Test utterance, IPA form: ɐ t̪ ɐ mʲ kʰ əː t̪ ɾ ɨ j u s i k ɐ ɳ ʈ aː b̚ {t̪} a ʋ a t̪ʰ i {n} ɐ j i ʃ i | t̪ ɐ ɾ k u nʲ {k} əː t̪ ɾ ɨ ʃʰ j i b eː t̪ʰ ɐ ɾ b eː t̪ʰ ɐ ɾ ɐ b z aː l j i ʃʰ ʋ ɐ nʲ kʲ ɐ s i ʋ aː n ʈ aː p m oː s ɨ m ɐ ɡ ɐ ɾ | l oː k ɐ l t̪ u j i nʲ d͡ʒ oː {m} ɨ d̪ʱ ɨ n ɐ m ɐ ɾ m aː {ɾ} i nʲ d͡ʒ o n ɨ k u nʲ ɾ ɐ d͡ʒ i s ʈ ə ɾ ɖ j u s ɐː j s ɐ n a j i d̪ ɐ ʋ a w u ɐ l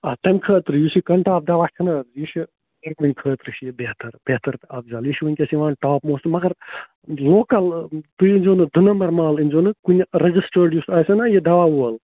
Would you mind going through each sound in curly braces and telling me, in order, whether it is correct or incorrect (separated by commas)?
incorrect, correct, incorrect, incorrect, incorrect